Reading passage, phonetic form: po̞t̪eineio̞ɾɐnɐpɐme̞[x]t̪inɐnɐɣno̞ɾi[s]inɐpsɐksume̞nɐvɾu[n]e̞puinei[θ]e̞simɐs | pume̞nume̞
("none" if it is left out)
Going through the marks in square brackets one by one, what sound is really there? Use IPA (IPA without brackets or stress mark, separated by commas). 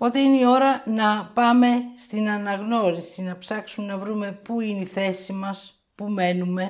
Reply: s, s, m, θ